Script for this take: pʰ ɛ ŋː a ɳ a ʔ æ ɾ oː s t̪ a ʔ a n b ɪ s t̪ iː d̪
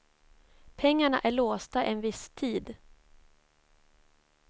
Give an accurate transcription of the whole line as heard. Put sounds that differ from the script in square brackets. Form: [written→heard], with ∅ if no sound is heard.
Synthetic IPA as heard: pʰ ɛ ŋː a ɳ a ʔ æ [ɾ→ɭ] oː s t̪ a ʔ [a→ɛ] n [b→v] ɪ s [t̪→t̪ʰ] iː d̪

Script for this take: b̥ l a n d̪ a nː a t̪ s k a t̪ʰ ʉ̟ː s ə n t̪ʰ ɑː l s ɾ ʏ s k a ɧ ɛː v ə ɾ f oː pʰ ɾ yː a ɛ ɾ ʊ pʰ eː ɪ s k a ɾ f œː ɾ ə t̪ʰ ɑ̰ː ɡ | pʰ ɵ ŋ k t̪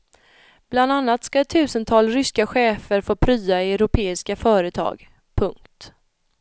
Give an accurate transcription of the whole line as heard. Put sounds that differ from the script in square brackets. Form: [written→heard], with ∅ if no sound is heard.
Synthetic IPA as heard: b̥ l a n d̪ a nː a t̪ s k a t̪ʰ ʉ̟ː s ə n t̪ʰ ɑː l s ɾ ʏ s k a ɧ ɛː [v→f] ə ɾ f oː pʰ ɾ yː a ɛ ɾ ʊ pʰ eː ɪ s k a [ɾ→∅] f œː ɾ ə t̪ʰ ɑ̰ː ɡ | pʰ ɵ ŋ k t̪

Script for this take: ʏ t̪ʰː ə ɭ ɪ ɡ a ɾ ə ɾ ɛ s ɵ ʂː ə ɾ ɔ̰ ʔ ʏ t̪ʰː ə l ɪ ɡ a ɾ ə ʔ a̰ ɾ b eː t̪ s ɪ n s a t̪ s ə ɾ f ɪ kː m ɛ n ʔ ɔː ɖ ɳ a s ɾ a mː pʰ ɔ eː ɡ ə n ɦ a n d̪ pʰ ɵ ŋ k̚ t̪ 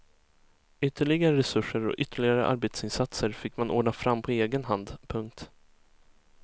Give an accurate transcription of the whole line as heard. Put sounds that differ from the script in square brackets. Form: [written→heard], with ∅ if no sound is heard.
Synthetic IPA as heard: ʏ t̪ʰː ə ɭ ɪ ɡ a ɾ ə ɾ ɛ s ɵ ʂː ə ɾ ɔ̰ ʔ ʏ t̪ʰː ə [l→ɭ] ɪ ɡ a ɾ ə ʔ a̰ ɾ b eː t̪ s ɪ n s a t̪ s ə ɾ f ɪ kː m [ɛ→a] n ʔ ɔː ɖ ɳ a [s→f] ɾ a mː pʰ ɔ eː ɡ ə n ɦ a n d̪ pʰ ɵ ŋ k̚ t̪

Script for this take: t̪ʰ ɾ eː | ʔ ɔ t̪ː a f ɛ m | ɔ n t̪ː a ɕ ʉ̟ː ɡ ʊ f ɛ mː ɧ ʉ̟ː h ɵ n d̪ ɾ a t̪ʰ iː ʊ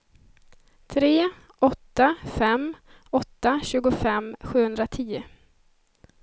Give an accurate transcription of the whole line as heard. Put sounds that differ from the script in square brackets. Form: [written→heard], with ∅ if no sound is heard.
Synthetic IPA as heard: t̪ʰ ɾ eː | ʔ ɔ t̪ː a f ɛ m | ɔ [n→∅] t̪ː a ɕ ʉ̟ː ɡ ʊ f ɛ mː ɧ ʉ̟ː h ɵ n d̪ ɾ a t̪ʰ iː ʊ

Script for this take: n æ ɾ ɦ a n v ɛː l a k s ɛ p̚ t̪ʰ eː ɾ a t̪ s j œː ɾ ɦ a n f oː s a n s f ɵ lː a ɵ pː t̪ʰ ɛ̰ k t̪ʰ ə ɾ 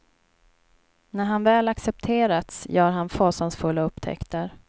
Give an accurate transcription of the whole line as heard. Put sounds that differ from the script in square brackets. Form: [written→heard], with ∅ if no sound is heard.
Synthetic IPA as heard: n æ ɾ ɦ a n v ɛː l a k s ɛ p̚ t̪ʰ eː ɾ a t̪ s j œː ɾ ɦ a n f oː s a n s f ɵ lː a ɵ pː t̪ʰ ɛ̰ k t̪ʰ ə ɾ

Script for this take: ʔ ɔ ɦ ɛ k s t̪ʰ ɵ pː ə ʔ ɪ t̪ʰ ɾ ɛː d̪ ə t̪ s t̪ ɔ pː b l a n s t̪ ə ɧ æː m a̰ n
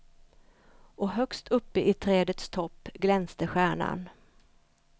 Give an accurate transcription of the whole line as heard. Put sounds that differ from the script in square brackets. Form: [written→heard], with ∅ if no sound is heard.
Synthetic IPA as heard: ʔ ɔ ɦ [ɛ→œ] k s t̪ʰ ɵ pː ə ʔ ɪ t̪ʰ ɾ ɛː d̪ ə t̪ s [t̪→t̪ʰ] ɔ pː [b→ɡ] l [a→ɛ] n s t̪ ə ɧ æː [m→ɳ] a̰ n

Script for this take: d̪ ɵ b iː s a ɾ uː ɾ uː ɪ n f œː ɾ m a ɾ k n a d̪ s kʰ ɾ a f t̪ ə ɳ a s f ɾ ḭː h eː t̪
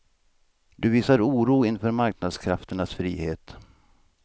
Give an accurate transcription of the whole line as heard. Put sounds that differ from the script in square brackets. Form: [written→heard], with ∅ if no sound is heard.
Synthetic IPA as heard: d̪ ɵ [b→v] iː s a ɾ uː ɾ uː ɪ n f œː ɾ m a ɾ k n a d̪ s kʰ ɾ a f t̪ ə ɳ a s f ɾ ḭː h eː t̪

